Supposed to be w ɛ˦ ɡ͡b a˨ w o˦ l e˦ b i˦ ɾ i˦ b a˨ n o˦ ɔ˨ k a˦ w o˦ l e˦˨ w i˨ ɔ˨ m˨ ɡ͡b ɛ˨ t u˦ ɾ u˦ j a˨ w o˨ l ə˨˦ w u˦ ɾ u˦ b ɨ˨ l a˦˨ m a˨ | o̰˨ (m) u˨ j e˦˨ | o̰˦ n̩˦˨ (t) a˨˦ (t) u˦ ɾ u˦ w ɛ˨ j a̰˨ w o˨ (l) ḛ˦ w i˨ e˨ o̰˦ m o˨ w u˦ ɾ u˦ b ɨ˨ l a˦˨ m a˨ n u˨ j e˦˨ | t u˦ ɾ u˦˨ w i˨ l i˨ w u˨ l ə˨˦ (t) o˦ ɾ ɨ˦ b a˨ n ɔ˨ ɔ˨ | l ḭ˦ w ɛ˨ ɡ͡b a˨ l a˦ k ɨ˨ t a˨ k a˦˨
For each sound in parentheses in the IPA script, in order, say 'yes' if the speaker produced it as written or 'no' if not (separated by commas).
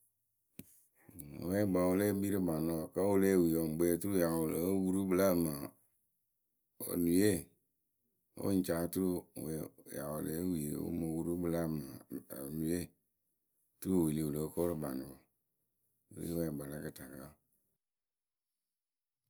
no, no, yes, yes, no